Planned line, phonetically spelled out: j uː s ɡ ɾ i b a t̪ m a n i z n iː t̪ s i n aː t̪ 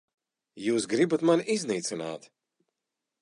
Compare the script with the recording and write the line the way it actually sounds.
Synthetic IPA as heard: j uː s ɡ ɾ i b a t̪ m a n i z n iː t̪ s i n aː t̪